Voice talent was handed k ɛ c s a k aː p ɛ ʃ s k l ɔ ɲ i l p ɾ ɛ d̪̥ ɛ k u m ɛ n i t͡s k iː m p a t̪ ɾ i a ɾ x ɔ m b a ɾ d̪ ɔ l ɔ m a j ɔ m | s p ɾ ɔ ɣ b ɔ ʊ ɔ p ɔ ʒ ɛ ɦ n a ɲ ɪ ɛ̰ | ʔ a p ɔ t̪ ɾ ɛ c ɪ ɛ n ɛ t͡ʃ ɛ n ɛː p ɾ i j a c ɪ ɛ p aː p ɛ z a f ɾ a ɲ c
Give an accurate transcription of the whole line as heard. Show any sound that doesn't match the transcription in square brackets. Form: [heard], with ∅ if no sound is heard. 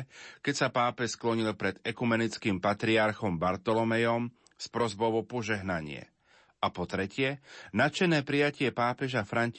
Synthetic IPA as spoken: k ɛ c s a [p] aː p ɛ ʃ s k l ɔ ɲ i l p ɾ ɛ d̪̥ ɛ k u m ɛ n i t͡s k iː m p a t̪ ɾ i a ɾ x ɔ m b a ɾ [t̪] ɔ l ɔ m [ɛ] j ɔ m | s p ɾ ɔ [z] b ɔ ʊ ɔ p ɔ ʒ ɛ ɦ n a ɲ ɪ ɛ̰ | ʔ a p ɔ t̪ ɾ ɛ c ɪ ɛ n [a] t͡ʃ ɛ n ɛː p ɾ i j a c ɪ ɛ p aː p ɛ [ʒ] a f ɾ a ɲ c